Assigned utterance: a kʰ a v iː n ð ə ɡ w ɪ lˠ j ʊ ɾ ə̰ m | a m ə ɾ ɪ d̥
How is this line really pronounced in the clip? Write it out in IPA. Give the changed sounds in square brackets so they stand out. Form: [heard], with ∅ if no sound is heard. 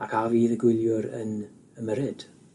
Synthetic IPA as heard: a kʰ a v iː [∅] ð ə ɡ w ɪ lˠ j ʊ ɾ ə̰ [n] | [ə] m ə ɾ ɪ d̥

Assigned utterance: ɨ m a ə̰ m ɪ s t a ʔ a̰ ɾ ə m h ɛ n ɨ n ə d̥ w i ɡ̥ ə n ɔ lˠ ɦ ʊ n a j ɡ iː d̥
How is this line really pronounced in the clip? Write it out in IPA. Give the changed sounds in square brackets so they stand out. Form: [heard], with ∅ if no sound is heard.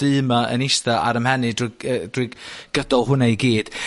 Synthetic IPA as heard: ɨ m a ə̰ [n] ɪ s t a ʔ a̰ ɾ ə m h ɛ n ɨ [d] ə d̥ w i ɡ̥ ə [d] ɔ lˠ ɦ ʊ n a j ɡ iː d̥

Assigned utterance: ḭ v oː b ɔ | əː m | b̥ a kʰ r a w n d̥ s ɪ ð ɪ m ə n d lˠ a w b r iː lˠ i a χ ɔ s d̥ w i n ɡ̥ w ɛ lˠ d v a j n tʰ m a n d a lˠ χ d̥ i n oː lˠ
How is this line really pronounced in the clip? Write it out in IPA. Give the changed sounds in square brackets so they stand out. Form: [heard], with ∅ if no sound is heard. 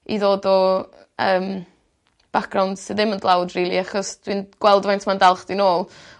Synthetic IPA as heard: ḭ [ð] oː [d] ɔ | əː m | b̥ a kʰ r a w n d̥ s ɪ ð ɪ m ə n d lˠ a w [d] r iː lˠ i a χ ɔ s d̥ w i n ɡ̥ w ɛ lˠ d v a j n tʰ m a n d a lˠ χ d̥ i n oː lˠ

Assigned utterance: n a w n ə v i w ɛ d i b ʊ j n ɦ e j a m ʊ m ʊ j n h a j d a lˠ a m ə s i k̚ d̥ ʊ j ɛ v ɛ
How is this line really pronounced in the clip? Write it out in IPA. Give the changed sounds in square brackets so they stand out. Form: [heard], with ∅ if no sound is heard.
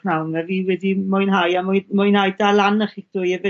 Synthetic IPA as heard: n a w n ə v i w ɛ d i [m] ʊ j n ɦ [a] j a m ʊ m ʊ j n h a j d a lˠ a [n] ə [χ] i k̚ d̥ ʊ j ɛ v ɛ

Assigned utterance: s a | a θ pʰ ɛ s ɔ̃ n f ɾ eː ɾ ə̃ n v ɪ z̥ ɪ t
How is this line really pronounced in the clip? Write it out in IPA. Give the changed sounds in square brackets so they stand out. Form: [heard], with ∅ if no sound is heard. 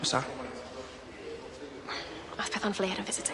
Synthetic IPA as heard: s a | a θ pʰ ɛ [θ] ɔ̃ n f [l] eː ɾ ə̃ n v ɪ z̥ ɪ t

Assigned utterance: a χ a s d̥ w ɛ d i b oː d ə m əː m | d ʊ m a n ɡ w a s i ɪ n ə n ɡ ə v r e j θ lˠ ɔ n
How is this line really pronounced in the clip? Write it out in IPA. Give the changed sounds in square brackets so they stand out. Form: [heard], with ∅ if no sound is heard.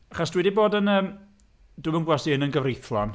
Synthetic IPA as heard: a χ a s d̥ w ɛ d i b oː d ə [n] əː m | d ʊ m [ə] n ɡ w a s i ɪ n ə n ɡ ə v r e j θ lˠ ɔ n

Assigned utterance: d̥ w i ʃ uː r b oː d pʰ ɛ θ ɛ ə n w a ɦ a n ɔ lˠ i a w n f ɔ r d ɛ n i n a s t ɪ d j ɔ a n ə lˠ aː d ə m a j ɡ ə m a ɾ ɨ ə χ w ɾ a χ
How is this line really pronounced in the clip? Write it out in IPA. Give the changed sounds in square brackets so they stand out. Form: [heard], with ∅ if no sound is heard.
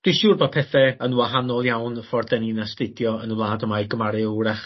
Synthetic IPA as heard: d̥ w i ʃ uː r b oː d pʰ ɛ θ ɛ ə n w a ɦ a n ɔ lˠ [j] a w n f ɔ r d ɛ n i n a s t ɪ d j ɔ [ə] n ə lˠ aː d ə m a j ɡ ə m a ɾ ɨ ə [∅] w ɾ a χ

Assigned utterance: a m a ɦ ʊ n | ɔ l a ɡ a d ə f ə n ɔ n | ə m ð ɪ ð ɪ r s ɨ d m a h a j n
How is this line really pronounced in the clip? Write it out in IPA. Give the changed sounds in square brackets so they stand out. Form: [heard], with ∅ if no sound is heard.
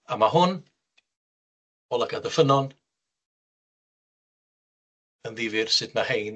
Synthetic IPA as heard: a m a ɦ ʊ n | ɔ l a ɡ a d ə f ə n ɔ n | ə [n] ð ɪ [v] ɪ r s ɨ d m a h [e] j n

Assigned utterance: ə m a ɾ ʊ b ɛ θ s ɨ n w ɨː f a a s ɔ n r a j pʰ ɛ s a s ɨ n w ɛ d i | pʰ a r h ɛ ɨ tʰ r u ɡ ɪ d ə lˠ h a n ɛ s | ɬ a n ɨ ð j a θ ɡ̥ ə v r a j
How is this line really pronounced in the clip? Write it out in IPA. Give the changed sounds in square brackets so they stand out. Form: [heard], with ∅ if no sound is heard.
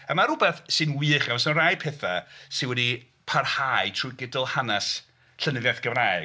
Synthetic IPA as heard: ə m a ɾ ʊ b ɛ θ s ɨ n w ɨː [χ] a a s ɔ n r a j pʰ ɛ [θ] a s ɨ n w ɛ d i | pʰ a r h [a] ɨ tʰ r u ɡ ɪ d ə lˠ h a n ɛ s | ɬ [ə] n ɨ ð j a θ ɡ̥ ə v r a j

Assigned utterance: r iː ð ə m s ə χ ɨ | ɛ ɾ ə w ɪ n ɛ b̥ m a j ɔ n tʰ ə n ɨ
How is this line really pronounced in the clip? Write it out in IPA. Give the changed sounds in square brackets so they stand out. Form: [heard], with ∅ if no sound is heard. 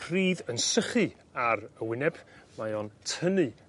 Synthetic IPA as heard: r iː ð ə [n] s ə χ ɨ | [a] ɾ ə w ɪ n ɛ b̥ m a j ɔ n tʰ ə n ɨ

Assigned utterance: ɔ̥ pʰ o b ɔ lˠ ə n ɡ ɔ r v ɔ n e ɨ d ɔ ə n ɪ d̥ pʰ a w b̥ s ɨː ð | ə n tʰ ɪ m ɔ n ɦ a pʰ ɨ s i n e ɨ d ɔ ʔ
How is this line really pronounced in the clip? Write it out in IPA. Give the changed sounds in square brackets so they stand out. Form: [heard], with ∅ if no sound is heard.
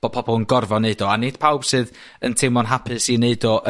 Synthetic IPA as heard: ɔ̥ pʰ [ɔ] b ɔ lˠ ə n ɡ ɔ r v ɔ n e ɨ d ɔ [a] n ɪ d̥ pʰ a w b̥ s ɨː ð | ə n tʰ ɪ m ɔ n ɦ a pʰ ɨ s i n e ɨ d ɔ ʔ

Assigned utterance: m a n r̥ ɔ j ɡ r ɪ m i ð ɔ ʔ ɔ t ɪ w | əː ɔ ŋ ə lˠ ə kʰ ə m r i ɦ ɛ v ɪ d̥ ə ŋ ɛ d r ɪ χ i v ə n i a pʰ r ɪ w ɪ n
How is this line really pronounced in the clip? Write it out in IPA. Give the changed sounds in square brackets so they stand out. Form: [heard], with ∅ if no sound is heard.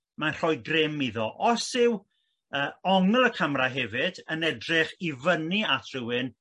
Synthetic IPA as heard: m a n r̥ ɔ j ɡ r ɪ m i ð ɔ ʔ ɔ [s] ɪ w | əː ɔ ŋ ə lˠ ə kʰ ə m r [a] ɦ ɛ v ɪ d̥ ə [n] ɛ d r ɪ χ i v ə n i a [tʰ] r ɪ w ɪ n

